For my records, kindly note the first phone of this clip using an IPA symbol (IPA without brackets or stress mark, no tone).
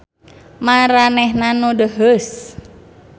m